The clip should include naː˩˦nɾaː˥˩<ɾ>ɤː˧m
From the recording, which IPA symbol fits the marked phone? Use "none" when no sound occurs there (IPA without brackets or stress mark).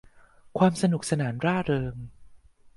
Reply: ɾ